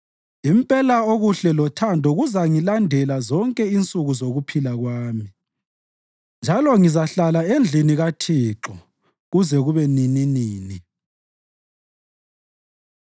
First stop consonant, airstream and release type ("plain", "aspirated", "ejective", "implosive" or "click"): ejective